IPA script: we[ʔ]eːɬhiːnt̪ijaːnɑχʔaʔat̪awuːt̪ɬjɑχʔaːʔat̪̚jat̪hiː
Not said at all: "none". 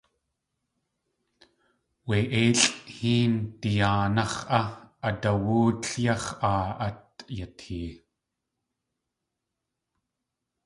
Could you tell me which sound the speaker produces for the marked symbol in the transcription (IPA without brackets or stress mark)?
ʔ